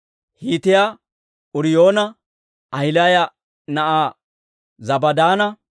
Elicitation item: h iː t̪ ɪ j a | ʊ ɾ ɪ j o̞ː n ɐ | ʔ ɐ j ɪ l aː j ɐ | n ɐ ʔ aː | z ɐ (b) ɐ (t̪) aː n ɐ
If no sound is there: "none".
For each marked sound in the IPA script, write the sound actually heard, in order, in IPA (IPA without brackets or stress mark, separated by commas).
b, d̪